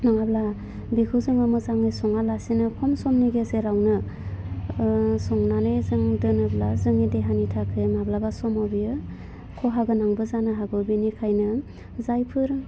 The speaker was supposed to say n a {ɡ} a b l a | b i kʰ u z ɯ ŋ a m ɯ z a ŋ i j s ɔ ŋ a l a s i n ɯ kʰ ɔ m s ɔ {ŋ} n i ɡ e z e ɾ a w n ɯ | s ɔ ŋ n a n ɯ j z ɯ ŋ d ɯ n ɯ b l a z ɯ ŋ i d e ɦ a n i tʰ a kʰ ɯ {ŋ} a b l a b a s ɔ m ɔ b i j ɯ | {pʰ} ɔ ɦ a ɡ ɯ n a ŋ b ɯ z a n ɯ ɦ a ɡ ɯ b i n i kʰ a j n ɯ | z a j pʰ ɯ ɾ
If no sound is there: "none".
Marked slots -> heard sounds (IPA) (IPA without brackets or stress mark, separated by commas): ŋ, m, m, kʰ